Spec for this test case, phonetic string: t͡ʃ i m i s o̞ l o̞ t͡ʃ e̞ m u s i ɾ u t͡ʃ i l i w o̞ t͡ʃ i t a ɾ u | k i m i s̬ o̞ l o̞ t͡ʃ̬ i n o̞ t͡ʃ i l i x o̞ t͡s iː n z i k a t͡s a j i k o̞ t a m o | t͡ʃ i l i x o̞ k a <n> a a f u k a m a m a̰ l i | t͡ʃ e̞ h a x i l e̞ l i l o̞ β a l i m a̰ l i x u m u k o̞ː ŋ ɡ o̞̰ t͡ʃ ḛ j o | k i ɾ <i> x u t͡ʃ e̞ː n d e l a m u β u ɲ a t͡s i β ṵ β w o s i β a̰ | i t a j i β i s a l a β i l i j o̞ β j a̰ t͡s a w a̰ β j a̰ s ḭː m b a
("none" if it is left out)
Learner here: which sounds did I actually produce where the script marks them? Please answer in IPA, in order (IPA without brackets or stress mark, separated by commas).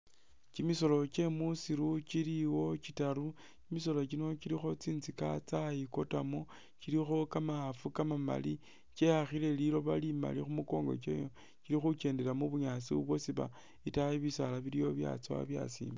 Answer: m, i